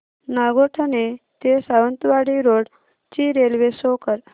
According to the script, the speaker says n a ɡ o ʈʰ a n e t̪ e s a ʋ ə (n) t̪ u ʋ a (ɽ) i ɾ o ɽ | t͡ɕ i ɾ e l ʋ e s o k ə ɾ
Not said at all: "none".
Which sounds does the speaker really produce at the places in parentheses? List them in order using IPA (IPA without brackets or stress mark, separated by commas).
n, ɽ